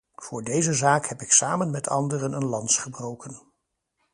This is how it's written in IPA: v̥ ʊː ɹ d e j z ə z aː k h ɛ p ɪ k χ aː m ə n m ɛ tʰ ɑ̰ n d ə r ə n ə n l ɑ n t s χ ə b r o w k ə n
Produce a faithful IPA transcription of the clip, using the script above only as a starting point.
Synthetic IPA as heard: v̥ ʊː ɹ d e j z ə z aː k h ɛ p ɪ k s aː m ə n m ɛ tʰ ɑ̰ n d ə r ə n ə n l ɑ n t s χ ə b r o w k ə n